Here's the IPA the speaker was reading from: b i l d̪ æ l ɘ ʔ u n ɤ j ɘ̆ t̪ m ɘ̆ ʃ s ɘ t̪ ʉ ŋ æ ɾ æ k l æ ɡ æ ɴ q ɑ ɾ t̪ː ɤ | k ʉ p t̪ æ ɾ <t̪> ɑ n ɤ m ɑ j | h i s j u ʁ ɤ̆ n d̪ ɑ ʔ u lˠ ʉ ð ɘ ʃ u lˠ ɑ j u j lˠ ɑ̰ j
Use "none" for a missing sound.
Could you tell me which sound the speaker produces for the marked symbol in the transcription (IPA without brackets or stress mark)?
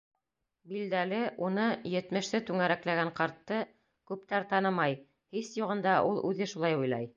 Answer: t̪